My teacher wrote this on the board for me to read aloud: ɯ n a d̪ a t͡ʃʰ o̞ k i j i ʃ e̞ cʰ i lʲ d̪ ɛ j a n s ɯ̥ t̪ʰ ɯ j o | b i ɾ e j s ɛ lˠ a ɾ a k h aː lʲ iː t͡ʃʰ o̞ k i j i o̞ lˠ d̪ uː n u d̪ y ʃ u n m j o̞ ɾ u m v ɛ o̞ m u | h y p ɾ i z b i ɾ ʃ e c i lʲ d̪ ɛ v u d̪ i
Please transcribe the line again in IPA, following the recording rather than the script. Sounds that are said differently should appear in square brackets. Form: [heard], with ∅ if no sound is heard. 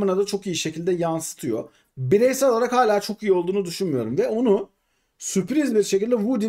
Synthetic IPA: ɯ n a d̪ a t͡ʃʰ o̞ k i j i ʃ e̞ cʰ i lʲ d̪ ɛ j a n s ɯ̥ t̪ʰ ɯ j o | b i ɾ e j s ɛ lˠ a ɾ a k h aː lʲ [aː] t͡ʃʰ o̞ k i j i o̞ lˠ d̪ uː n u d̪ y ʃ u n m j o̞ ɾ u m v ɛ o̞ [n] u | [s] y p ɾ i z b i ɾ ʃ e c i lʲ d̪ ɛ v u d̪ i